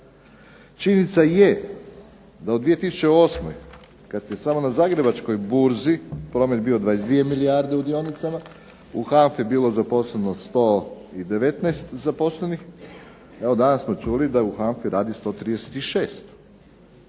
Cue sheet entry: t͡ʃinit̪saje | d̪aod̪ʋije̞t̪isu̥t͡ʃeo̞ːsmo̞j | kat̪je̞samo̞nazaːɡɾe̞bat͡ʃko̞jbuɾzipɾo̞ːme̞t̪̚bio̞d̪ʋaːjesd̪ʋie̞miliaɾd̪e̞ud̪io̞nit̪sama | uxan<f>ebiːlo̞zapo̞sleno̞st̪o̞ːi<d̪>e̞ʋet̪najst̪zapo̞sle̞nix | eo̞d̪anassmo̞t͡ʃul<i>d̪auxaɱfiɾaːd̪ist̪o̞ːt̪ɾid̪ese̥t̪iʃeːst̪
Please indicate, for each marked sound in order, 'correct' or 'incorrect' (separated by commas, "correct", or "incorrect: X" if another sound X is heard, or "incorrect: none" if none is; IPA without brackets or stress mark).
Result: correct, correct, correct